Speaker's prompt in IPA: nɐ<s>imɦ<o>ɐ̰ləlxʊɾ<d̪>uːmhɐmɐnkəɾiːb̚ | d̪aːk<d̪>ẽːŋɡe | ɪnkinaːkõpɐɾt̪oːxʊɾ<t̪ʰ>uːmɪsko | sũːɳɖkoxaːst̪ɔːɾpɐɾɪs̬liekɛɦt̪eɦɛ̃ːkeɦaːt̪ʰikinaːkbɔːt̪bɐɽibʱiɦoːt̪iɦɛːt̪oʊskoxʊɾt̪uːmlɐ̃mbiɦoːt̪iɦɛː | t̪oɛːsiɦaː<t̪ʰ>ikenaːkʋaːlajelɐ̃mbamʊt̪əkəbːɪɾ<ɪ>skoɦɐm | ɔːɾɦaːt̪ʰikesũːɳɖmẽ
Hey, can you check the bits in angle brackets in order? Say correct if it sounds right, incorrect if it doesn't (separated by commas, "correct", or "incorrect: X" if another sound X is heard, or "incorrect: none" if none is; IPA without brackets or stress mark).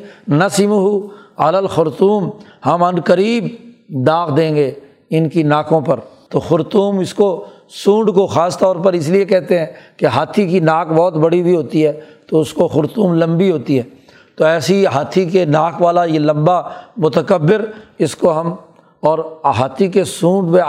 correct, incorrect: u, incorrect: t̪, correct, incorrect: t̪, correct, correct